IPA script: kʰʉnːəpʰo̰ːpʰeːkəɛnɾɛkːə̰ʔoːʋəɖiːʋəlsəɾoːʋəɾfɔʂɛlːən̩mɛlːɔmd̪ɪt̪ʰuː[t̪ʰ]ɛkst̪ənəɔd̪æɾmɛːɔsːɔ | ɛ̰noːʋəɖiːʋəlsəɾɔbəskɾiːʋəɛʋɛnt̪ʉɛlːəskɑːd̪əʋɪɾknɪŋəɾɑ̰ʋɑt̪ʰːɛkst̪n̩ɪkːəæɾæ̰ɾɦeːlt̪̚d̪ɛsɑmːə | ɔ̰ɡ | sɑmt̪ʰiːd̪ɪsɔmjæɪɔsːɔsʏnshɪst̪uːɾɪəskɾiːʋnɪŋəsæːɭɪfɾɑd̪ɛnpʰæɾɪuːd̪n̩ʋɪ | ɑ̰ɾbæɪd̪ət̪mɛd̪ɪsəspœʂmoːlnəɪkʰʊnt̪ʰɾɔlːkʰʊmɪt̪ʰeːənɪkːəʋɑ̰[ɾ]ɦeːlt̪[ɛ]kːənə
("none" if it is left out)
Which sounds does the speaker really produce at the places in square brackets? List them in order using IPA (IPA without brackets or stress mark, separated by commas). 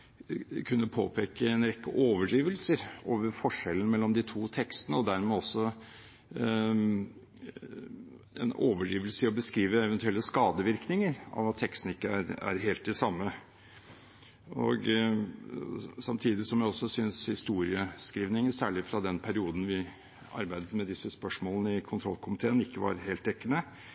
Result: t̪ʰ, ɾ, ɛ